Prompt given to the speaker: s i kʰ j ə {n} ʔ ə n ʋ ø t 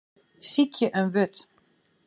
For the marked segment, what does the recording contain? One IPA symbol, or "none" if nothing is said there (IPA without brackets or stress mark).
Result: none